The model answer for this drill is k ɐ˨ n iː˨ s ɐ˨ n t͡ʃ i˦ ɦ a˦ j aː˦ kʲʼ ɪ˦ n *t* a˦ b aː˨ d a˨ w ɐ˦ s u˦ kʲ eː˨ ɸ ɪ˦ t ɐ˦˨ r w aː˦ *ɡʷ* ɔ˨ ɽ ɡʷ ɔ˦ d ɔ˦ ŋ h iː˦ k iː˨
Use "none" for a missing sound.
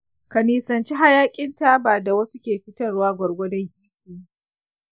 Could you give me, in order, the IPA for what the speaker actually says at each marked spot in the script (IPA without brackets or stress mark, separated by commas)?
t, ɡʷ